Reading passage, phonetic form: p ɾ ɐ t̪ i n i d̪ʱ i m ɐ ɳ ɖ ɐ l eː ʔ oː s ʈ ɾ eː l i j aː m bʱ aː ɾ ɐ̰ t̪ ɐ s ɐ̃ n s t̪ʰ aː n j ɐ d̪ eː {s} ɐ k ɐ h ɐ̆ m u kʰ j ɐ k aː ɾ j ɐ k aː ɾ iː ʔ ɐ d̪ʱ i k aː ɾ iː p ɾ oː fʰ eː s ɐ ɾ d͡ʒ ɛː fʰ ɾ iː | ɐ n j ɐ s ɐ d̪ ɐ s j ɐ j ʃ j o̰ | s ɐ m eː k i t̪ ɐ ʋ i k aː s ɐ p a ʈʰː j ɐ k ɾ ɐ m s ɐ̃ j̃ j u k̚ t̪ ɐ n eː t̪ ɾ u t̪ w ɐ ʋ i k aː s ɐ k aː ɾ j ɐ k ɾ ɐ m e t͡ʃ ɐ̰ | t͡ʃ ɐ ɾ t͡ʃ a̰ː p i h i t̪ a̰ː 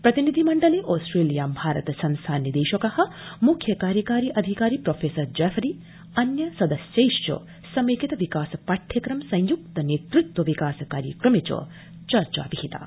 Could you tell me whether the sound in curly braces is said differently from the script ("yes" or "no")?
yes